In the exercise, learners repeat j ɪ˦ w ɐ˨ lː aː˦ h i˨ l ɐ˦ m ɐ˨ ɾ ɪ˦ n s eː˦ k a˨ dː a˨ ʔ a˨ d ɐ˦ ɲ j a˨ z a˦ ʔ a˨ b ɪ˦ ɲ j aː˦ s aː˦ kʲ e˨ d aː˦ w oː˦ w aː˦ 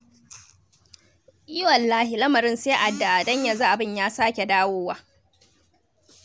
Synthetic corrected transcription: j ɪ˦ w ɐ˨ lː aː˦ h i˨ l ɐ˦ m ɐ˨ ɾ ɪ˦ n s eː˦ ʔ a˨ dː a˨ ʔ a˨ d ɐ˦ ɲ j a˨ z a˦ ʔ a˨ b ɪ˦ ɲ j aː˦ s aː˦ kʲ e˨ d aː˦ w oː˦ w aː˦